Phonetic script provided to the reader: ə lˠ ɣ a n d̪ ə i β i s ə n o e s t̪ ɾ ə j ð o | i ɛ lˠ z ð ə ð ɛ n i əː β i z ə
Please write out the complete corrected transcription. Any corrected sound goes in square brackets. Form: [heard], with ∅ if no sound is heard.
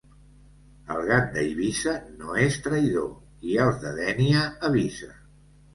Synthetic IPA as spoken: ə lˠ ɣ a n d̪ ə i β i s ə n o e s t̪ ɾ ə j ð o | i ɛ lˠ z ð ə ð ɛ n i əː β i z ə

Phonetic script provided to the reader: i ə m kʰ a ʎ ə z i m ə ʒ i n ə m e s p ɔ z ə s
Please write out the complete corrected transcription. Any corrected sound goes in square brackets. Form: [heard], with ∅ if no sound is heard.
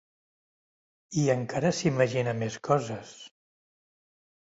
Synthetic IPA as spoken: i ə [ŋ] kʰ a [ɾ] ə [s] i m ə ʒ i n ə m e s [k] ɔ z ə s

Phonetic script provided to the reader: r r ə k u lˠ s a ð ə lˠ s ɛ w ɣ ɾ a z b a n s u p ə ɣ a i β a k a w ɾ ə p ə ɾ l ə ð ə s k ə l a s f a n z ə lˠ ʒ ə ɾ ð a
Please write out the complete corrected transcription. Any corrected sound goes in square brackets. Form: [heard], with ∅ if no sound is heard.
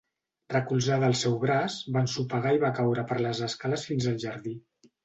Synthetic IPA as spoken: r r ə k u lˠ [z] a ð ə lˠ s ɛ w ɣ ɾ a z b a n s u p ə ɣ a i β a k a w ɾ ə p ə ɾ l ə [z] ə s k [a] l [ə] s f [i] n z ə lˠ ʒ ə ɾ ð [i]

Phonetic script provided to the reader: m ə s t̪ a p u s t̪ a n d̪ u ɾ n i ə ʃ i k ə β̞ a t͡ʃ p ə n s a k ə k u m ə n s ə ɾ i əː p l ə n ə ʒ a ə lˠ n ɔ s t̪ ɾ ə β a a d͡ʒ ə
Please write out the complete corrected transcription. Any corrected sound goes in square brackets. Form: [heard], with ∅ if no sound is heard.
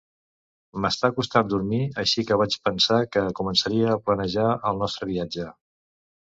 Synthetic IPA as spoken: m ə s t̪ a [k] u s t̪ a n d̪ u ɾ [m] i ə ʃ i k ə β̞ a t͡ʃ p ə n s a k ə k u m ə n s ə ɾ i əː p l ə n ə ʒ a ə lˠ n ɔ s t̪ ɾ ə β [i] a d͡ʒ ə

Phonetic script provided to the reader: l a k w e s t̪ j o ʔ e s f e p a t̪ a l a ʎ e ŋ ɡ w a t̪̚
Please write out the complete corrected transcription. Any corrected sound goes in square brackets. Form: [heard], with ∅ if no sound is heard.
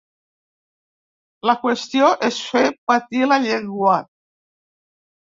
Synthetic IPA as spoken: l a k w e s t̪ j o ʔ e s f e p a t̪ [i] l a ʎ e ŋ ɡ w a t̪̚

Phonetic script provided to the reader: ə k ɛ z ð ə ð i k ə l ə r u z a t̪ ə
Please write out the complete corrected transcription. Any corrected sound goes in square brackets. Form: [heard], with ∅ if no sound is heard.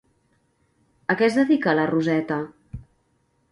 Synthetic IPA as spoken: ə k ɛ z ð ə ð i k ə l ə r u z [ɛ] t̪ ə

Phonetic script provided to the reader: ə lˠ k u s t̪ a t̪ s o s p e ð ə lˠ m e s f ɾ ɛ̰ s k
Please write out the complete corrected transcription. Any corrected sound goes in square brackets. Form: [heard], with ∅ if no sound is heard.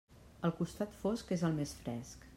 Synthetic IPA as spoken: ə lˠ k u s t̪ a t̪ [f] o s [k] e [z] ə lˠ m e s f ɾ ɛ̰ s k

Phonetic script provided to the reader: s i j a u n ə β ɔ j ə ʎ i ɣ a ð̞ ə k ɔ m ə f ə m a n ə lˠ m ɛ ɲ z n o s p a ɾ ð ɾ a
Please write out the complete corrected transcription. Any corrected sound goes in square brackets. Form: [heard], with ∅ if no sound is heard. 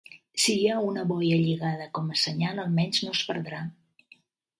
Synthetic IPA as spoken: s i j a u n ə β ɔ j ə ʎ i ɣ a ð̞ ə k ɔ m ə [s] ə [ɲ] a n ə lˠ m ɛ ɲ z n o s p [ə] ɾ ð ɾ a

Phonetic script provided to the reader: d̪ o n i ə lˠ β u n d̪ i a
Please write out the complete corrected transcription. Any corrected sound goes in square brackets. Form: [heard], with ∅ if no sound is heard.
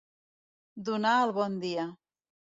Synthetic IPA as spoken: d̪ [u] n [a] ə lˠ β [ɔ] n d̪ i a

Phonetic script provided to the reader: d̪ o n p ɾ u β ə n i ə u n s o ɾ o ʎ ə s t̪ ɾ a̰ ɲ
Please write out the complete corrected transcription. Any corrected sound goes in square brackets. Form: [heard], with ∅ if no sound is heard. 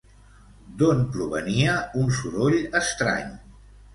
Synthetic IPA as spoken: d̪ o n p ɾ u β ə n i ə u n s [u] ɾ o ʎ ə s t̪ ɾ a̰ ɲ

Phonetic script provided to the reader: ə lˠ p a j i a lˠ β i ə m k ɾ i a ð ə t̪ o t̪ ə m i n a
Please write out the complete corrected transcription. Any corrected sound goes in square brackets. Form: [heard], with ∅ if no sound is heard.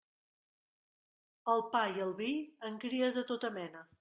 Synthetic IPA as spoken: ə lˠ p a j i [ə] lˠ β i ə [ŋ] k ɾ i [ə] ð ə t̪ o t̪ ə m [ɛ] n [ə]

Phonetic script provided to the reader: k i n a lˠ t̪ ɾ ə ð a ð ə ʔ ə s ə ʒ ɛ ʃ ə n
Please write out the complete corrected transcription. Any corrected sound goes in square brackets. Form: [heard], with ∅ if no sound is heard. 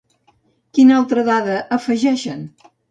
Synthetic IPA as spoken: k i n a lˠ t̪ ɾ ə ð a ð ə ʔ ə [f] ə ʒ ɛ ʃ ə n

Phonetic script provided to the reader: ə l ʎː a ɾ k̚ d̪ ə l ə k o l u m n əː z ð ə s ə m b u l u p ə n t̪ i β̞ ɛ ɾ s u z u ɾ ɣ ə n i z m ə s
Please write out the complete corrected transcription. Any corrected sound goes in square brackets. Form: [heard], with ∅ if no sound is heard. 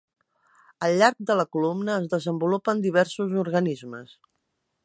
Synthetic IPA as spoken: ə l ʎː a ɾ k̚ d̪ ə l ə k [u] l u m n əː z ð ə [z] ə m b u l u p ə n [d̪] i β̞ ɛ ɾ s u z u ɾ ɣ ə n i z m ə s

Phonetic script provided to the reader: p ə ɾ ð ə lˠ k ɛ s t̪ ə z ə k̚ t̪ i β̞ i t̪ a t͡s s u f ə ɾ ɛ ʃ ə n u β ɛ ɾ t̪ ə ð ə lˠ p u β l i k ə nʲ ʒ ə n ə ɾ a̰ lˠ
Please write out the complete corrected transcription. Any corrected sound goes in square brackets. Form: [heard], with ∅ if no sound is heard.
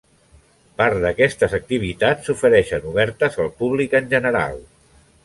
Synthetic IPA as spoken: p [a] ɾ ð ə [∅] k ɛ s t̪ ə z ə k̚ t̪ i β̞ i t̪ a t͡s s u f ə ɾ ɛ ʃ ə n u β ɛ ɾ t̪ ə [z] ə lˠ p u β l i k ə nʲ ʒ ə n ə ɾ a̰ lˠ

